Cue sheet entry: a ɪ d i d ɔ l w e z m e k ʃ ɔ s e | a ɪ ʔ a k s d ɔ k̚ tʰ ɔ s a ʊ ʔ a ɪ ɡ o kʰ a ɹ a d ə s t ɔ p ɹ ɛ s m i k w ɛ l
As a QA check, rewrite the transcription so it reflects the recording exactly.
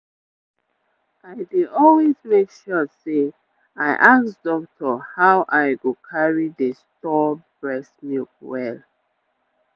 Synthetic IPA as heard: a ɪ d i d ɔ l w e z m e k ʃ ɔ s e | a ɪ ʔ a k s d ɔ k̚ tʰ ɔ h a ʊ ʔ a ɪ ɡ o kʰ a ɹ i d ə s t ɔ b ɹ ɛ s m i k w ɛ l